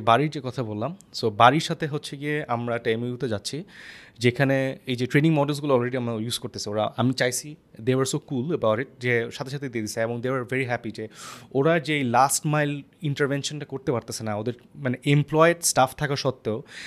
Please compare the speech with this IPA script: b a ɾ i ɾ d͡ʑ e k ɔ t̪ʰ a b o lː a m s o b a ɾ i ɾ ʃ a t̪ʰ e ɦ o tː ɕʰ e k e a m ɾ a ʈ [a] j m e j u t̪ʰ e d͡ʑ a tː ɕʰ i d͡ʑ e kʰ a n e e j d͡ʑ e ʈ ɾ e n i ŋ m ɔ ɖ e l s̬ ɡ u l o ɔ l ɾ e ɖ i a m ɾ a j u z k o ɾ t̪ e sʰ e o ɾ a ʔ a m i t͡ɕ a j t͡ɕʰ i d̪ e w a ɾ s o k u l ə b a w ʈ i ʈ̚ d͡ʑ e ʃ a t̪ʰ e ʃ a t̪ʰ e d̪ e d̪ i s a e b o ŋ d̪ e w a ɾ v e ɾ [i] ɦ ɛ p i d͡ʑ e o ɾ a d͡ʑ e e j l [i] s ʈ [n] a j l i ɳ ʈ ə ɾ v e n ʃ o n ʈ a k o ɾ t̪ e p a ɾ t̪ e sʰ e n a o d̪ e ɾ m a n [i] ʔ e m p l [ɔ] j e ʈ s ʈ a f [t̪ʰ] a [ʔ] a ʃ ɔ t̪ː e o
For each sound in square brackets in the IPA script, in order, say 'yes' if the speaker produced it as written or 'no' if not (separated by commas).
yes, yes, no, no, no, yes, yes, no